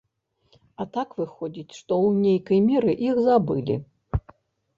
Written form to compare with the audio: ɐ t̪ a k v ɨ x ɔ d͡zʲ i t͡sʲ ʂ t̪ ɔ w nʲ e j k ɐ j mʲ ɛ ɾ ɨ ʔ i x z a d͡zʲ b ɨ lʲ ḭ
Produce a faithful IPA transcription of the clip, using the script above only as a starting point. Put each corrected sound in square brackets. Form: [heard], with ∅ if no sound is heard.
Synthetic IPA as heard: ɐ t̪ a k v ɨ x ɔ d͡zʲ i t͡sʲ ʂ t̪ ɔ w nʲ e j k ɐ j mʲ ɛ ɾ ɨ ʔ i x z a [∅] b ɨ lʲ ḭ

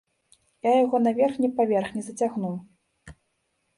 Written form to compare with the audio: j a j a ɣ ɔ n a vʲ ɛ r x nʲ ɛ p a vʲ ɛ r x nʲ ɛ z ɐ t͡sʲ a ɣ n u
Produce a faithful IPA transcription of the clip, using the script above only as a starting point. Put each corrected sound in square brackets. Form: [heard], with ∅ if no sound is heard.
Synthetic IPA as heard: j a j a ɣ ɔ n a vʲ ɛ r x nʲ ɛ p a vʲ ɛ r x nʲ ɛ z ɐ t͡sʲ a ɣ n u

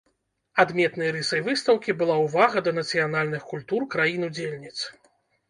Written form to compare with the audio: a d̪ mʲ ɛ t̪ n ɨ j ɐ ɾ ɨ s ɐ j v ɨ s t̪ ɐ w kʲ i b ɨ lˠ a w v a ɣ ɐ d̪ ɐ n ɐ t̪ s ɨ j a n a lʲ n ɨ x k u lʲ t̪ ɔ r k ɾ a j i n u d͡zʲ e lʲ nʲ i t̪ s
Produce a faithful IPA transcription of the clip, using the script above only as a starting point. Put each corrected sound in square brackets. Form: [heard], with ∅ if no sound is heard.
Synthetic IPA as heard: a d̪ mʲ ɛ t̪ n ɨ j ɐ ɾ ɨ s ɐ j v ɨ s t̪ ɐ w kʲ i b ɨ lˠ a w v a ɣ ɐ d̪ ɐ n ɐ t̪ s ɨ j a n a lʲ n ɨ x k u lʲ t̪ [u] r k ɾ a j i n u d͡zʲ e lʲ nʲ i t̪ s

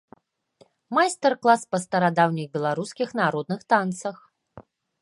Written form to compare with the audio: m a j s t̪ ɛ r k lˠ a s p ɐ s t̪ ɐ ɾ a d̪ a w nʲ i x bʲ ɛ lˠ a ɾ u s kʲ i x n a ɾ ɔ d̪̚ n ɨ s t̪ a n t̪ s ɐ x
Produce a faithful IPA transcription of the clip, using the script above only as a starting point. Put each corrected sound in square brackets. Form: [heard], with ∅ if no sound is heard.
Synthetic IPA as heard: m a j s t̪ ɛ r k lˠ a s p ɐ s t̪ ɐ ɾ a d̪ a w nʲ i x bʲ ɛ lˠ a ɾ u s kʲ i x n a ɾ ɔ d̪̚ n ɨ [x] t̪ a n t̪ s ɐ x

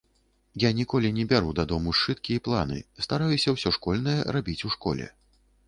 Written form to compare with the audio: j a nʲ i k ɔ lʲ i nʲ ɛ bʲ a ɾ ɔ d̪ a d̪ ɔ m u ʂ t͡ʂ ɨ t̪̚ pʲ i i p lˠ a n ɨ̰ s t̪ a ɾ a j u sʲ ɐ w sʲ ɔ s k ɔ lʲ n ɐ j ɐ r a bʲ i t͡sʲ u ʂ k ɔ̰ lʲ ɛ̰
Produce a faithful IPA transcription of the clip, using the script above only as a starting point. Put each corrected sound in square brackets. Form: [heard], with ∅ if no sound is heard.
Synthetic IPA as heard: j a nʲ i k ɔ lʲ i nʲ ɛ bʲ a ɾ [u] d̪ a d̪ ɔ m u ʂ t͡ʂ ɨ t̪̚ [kʲ] i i p lˠ a n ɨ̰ s t̪ a ɾ a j u sʲ ɐ w sʲ ɔ [ʂ] k ɔ lʲ n ɐ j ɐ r a bʲ i t͡sʲ u ʂ k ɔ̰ lʲ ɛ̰

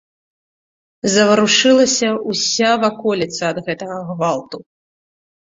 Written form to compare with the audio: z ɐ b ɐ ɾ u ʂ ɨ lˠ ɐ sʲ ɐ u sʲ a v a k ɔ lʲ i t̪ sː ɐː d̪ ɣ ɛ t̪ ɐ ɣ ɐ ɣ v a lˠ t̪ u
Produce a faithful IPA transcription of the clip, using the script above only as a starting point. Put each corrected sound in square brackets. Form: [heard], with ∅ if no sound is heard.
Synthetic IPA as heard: z ɐ [v] ɐ ɾ u ʂ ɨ lˠ ɐ sʲ ɐ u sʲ a v a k ɔ lʲ i t̪ [s] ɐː d̪ ɣ ɛ t̪ ɐ ɣ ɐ ɣ v a lˠ t̪ u

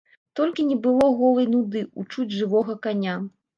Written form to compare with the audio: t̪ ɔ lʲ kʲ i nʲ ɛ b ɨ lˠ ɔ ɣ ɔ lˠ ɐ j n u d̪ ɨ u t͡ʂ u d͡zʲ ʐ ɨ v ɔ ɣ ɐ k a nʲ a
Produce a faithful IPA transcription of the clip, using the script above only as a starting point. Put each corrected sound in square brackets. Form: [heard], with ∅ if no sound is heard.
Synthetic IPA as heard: t̪ ɔ lʲ kʲ i nʲ ɛ b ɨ lˠ ɔ ɣ ɔ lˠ ɐ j n u d̪ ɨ u t͡ʂ u d͡zʲ ʐ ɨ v ɔ ɣ ɐ k a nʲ a

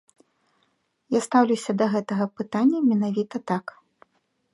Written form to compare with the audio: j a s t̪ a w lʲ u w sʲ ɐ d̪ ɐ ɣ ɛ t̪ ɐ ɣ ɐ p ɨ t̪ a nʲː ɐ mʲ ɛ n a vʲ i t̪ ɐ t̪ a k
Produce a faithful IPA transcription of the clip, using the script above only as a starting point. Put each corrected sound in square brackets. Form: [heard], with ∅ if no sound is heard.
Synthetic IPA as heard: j a s t̪ a w lʲ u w sʲ ɐ d̪ ɐ ɣ ɛ t̪ ɐ ɣ ɐ p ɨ t̪ a nʲː ɐ mʲ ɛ n a vʲ i t̪ ɐ t̪ a k

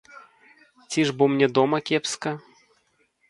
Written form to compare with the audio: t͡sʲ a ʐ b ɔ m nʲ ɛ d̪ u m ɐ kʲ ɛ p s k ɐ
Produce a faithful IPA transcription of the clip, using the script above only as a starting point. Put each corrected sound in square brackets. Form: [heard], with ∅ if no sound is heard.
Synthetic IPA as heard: t͡sʲ [i] ʐ b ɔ m nʲ ɛ d̪ [ɔ] m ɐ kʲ ɛ p s k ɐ

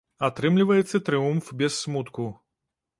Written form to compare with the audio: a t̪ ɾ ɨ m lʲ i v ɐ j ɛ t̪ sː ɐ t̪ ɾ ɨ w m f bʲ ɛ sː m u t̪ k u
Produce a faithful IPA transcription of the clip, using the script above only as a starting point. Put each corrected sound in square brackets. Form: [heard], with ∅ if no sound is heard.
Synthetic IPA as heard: a t̪ ɾ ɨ m lʲ i v ɐ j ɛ t̪ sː ɐ t̪ ɾ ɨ [u] m f bʲ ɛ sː m u t̪ k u

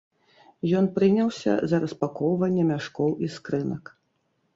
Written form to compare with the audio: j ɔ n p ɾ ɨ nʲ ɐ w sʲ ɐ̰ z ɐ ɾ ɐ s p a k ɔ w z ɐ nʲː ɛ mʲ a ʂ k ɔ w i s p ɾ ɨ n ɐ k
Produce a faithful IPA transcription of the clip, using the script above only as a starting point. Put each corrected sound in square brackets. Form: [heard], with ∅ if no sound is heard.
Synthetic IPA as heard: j ɔ n p ɾ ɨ nʲ ɐ w sʲ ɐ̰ z ɐ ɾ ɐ s p a k ɔ w [v] ɐ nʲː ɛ mʲ a ʂ k ɔ w i s [k] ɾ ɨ n ɐ k

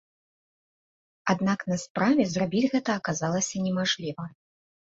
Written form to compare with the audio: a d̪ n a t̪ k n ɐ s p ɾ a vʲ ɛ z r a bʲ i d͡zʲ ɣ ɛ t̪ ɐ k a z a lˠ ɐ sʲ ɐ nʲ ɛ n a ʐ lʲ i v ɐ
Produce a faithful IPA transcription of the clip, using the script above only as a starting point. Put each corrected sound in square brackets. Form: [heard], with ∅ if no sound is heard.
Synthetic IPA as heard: a d̪ n a [∅] k n ɐ s p ɾ a vʲ ɛ z r a bʲ i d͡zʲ ɣ ɛ t̪ [ɐː] k a z a lˠ ɐ sʲ ɐ nʲ ɛ [m] a ʐ lʲ i v ɐ

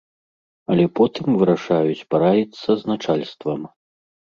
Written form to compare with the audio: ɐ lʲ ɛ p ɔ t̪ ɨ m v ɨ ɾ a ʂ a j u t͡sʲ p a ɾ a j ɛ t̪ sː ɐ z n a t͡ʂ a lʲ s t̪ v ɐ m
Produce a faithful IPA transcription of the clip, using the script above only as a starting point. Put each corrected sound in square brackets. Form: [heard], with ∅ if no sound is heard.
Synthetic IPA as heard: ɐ lʲ ɛ p ɔ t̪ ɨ m v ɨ ɾ a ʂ a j u t͡sʲ p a ɾ a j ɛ t̪ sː ɐ z n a t͡ʂ a lʲ s t̪ v ɐ m

